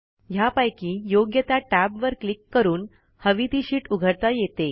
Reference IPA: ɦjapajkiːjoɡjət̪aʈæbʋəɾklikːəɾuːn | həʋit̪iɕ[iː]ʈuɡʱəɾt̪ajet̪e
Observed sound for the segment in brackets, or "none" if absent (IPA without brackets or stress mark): iː